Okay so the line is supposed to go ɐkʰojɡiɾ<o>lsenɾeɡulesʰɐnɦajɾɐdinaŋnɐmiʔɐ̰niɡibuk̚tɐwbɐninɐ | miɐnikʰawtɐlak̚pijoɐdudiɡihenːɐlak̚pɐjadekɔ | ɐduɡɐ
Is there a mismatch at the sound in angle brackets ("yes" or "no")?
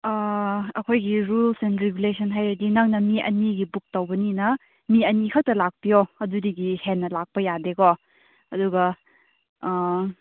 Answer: yes